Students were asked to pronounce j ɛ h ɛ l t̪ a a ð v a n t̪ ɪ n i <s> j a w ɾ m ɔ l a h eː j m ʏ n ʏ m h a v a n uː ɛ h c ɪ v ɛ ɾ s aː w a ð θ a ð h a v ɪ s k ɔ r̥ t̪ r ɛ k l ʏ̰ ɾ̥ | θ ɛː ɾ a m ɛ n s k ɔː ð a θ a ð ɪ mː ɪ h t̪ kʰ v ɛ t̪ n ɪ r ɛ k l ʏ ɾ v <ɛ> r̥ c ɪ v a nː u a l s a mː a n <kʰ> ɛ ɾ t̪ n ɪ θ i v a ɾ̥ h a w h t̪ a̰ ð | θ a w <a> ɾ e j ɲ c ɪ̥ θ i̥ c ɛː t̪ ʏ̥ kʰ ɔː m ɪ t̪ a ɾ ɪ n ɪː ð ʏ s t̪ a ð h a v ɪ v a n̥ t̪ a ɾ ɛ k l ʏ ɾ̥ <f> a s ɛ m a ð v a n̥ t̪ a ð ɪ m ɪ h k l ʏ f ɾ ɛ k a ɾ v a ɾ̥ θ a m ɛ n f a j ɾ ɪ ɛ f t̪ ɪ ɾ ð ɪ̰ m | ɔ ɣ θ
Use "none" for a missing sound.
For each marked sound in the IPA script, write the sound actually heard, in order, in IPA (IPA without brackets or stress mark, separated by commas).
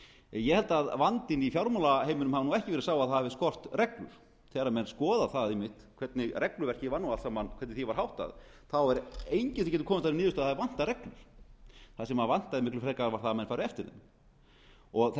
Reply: f, ɛ, kʰ, ɛ, θ